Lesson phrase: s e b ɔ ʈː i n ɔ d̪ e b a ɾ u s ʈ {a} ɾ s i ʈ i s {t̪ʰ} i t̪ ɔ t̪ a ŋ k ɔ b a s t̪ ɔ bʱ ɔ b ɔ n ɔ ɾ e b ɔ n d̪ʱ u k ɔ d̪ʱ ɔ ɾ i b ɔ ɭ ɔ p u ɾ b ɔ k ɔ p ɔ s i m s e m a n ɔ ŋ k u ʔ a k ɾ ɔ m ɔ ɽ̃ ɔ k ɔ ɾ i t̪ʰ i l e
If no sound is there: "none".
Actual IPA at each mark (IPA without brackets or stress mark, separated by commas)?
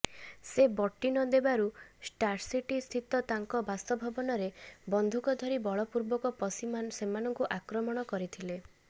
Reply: a, t̪ʰ